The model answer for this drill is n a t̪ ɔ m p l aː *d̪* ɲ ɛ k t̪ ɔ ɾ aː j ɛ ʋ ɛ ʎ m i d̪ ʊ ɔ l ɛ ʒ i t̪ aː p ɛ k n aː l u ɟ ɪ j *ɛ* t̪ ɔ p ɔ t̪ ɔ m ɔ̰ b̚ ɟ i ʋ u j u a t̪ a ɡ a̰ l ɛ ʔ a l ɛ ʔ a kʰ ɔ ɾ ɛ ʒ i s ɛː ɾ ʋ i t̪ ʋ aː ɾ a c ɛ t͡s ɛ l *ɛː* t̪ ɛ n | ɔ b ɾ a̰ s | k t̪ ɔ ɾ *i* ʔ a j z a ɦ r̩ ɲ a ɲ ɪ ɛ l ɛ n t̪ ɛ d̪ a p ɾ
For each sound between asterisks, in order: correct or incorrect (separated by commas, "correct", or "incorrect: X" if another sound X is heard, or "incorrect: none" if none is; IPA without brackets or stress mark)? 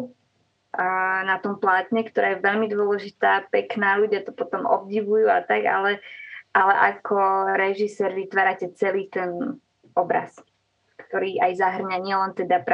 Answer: incorrect: t̪, incorrect: a, incorrect: iː, incorrect: iː